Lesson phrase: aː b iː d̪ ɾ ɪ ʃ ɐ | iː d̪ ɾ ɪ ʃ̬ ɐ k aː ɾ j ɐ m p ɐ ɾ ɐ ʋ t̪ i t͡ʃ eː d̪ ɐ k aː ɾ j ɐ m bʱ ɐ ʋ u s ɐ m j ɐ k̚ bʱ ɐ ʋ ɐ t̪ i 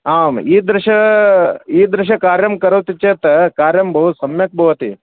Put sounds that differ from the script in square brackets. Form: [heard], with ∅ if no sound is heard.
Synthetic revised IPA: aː [m] iː d̪ ɾ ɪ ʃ ɐ | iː d̪ ɾ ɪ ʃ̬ ɐ k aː ɾ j ɐ m [k] ɐ ɾ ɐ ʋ t̪ i t͡ʃ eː [t̪] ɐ k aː ɾ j ɐ m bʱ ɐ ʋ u s ɐ m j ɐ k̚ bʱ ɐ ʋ ɐ t̪ i